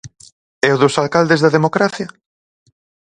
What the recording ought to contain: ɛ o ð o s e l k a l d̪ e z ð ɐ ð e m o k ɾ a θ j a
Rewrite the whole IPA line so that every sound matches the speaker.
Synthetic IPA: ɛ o ð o s a l k a l d̪ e z ð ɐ ð e m o k ɾ a θ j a

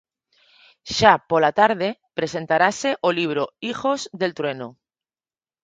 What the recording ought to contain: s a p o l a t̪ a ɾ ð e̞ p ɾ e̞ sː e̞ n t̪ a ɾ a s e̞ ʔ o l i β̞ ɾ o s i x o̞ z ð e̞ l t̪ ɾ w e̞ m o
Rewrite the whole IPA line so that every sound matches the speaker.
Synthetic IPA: ʃ a p o l a t̪ a ɾ ð e̞ p ɾ e̞ s e̞ n t̪ a ɾ a s e̞ ʔ o l i β̞ ɾ o i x o̞ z ð e̞ l t̪ ɾ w e̞ n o

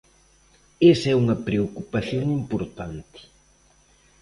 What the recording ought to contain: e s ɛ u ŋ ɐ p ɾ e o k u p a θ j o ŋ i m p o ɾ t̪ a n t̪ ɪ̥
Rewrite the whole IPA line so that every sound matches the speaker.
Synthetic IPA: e s ɛ u ŋ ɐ p ɾ e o k u p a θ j o ŋ i m p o ɾ t̪ a n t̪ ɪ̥

